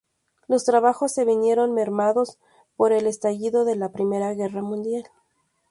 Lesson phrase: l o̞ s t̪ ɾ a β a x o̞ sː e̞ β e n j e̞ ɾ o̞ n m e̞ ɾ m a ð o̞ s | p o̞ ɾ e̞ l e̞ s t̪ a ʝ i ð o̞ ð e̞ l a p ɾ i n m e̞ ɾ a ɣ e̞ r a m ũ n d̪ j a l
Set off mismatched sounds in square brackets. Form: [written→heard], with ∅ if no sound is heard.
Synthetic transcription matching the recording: l o̞ s t̪ ɾ a β a x o̞ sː e̞ β [e→i] n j e̞ ɾ o̞ n m e̞ ɾ m a ð o̞ s | p o̞ ɾ e̞ l e̞ s t̪ a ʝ i ð o̞ ð e̞ l a p ɾ i [n→∅] m e̞ ɾ a ɣ e̞ r a m ũ n d̪ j a l